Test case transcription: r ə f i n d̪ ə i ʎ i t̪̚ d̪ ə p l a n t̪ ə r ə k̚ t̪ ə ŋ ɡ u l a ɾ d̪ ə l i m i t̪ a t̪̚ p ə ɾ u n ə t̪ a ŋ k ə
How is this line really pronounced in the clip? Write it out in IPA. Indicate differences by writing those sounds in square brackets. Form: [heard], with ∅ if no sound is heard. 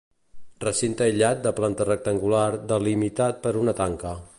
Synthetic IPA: r ə [s] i n [t̪] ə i ʎ [a] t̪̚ d̪ ə p l a n t̪ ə r ə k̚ t̪ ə ŋ ɡ u l a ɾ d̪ ə l i m i t̪ a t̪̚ p ə ɾ u n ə t̪ a ŋ k ə